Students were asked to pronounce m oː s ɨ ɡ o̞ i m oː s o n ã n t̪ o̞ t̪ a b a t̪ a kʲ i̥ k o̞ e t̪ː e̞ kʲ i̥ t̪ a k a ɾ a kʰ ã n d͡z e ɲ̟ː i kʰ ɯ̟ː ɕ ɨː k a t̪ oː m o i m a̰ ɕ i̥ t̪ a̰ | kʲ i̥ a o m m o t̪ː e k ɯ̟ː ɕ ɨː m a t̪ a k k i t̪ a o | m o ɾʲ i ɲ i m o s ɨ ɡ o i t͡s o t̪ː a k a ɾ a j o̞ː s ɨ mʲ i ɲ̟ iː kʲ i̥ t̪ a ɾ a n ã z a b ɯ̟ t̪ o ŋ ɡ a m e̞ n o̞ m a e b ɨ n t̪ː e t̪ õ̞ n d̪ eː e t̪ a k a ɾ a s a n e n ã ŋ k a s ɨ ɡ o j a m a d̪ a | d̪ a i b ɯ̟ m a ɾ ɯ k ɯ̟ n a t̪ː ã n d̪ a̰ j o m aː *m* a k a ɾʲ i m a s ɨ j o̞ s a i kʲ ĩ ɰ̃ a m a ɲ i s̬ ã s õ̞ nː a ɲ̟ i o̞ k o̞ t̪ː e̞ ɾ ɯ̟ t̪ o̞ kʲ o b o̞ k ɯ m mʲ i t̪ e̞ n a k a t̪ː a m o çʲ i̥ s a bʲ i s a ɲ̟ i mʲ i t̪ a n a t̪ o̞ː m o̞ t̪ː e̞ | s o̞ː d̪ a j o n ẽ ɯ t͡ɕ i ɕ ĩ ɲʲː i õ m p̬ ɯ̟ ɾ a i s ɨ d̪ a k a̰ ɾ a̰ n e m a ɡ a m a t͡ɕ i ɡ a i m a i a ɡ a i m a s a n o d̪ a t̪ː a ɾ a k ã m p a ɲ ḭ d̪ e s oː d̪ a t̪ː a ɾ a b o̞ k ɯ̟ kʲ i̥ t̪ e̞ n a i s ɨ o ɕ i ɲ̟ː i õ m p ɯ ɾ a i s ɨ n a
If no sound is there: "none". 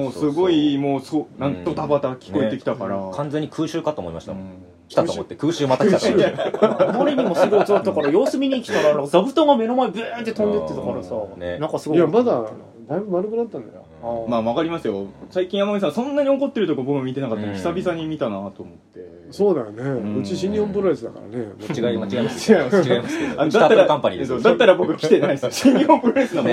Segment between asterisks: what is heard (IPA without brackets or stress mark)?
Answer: m